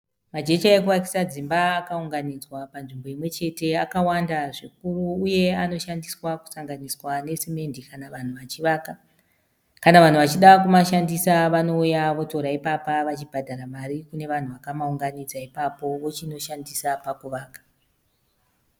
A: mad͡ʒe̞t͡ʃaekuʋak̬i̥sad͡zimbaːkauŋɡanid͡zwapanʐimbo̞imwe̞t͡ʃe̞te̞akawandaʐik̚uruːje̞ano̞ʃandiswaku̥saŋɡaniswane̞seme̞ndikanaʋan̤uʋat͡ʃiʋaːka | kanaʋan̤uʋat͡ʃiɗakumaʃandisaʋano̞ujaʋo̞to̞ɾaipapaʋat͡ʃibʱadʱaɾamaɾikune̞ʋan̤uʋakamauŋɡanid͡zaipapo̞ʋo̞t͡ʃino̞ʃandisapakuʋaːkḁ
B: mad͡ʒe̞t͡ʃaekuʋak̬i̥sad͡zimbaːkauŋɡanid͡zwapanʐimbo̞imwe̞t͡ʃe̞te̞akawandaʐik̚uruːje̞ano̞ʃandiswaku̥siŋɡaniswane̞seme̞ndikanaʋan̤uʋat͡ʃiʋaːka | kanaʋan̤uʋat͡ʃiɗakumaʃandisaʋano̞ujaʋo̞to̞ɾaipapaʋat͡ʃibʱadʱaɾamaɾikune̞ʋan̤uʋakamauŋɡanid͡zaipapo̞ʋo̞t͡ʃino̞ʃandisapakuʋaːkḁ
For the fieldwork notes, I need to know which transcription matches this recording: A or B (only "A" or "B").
A